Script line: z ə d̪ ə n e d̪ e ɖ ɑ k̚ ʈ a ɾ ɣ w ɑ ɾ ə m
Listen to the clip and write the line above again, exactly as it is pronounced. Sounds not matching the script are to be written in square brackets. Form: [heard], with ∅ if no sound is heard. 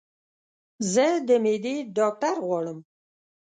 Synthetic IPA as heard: z ə d̪ ə [m] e d̪ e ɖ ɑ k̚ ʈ a ɾ ɣ w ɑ [ɽ] ə m